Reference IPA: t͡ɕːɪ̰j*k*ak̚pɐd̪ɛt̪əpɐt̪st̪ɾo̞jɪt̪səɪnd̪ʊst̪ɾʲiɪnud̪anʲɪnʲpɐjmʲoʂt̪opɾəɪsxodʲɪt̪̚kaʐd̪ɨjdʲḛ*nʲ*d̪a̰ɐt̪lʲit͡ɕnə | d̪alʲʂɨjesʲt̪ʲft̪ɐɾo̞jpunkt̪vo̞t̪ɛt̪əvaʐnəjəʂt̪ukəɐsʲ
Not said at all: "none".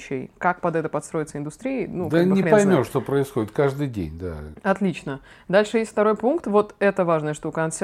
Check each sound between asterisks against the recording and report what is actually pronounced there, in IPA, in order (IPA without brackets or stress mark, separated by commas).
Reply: k, nʲ